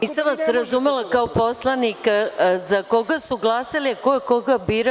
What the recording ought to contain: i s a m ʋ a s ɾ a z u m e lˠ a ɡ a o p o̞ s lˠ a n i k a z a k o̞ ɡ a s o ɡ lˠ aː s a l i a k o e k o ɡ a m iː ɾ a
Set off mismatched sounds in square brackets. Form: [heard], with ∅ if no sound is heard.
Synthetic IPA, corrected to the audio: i s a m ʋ a s ɾ a z u m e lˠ a [k] a o p o̞ s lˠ a n i k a z a k o̞ ɡ a s [u] ɡ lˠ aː s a l i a k o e k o ɡ a [b] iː ɾ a